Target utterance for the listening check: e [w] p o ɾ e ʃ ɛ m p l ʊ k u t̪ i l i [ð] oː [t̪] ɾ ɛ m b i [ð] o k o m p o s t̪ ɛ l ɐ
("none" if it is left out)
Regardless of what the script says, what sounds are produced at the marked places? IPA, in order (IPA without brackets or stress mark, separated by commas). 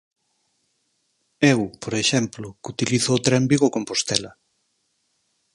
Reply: w, θ, t̪, ɣ